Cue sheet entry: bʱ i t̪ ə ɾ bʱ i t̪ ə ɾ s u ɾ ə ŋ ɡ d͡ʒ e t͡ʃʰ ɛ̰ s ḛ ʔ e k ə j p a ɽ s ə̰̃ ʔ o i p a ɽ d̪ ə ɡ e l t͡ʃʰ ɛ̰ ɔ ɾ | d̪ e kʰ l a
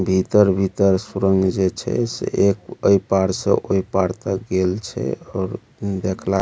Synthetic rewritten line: bʱ i t̪ ə ɾ bʱ i t̪ ə ɾ s u ɾ ə ŋ ɡ d͡ʒ e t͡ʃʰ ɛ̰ s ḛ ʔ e k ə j p a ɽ s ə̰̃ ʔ o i p a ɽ t̪ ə ɡ e l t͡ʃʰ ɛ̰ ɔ ɾ | d̪ e kʰ l a